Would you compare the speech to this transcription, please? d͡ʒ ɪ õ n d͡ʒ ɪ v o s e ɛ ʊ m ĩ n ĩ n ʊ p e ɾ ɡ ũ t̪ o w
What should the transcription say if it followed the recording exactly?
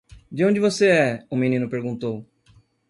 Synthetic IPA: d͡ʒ ɪ õ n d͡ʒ ɪ v o s e ɛ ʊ m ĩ n ĩ n ʊ p e ɾ ɡ ũ t̪ o w